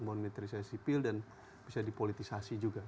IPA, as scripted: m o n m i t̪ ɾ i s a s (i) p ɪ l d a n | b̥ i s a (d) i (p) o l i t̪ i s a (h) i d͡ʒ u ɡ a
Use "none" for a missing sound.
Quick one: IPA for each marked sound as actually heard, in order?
i, d, p, s

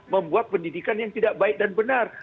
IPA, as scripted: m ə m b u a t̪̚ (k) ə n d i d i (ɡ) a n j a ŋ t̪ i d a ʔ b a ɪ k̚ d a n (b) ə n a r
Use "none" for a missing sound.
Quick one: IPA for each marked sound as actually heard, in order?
p, k, b

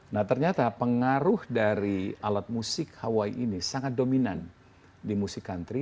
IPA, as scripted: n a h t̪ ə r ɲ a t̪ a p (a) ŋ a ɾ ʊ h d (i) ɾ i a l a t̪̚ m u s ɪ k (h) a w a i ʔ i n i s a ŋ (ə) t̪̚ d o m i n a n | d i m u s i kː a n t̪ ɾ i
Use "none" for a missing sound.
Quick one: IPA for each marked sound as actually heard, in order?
ə, a, h, a

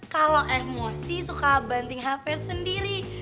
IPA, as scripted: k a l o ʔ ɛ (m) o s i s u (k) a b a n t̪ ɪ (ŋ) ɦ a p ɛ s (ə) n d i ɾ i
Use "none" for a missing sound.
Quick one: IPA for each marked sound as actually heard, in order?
m, k, ŋ, ə

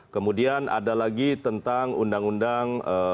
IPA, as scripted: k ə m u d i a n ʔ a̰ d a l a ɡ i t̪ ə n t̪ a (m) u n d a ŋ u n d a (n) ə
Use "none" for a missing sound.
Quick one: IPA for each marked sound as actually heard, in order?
ŋ, ŋ

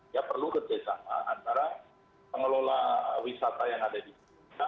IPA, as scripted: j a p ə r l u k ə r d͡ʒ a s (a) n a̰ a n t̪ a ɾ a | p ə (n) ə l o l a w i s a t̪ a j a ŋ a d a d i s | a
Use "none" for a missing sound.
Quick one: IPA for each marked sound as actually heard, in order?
a, ŋ

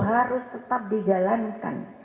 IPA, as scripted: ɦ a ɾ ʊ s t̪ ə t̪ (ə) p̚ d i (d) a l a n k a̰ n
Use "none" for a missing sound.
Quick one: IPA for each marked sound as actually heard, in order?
a, d͡ʒ

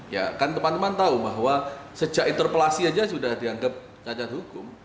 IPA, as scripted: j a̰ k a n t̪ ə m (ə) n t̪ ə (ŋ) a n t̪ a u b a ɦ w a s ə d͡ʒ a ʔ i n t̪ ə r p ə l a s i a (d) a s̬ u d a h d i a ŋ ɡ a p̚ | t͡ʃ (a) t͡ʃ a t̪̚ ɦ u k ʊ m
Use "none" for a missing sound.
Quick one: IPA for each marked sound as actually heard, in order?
a, m, d͡ʒ, a

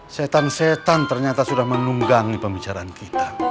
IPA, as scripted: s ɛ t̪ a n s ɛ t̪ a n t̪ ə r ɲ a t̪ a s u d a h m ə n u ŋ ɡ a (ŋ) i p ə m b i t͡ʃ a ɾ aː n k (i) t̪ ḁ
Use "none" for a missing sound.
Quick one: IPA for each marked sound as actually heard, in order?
ŋ, i

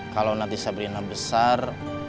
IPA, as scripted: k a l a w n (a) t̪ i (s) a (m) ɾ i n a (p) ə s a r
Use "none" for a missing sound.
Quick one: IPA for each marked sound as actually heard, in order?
a, s, b, b

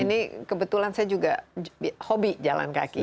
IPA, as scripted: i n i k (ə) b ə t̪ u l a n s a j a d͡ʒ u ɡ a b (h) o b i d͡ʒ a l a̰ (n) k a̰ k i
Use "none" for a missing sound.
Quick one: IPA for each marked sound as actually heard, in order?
ə, h, n

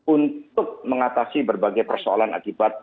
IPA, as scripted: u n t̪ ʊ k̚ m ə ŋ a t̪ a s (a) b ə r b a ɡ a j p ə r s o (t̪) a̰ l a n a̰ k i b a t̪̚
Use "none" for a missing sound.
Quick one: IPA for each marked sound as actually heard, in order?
i, none

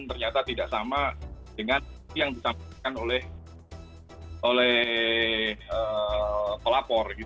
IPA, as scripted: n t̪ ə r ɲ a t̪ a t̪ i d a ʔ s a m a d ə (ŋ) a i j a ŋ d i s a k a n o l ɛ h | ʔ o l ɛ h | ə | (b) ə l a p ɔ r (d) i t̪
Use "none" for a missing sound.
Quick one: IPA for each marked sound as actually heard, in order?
ŋ, p, ɡ

